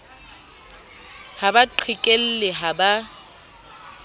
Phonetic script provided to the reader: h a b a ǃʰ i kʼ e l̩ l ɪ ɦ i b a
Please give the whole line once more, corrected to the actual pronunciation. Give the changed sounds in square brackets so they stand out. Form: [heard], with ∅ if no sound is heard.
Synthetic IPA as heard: h a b a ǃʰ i kʼ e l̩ l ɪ ɦ [a] b a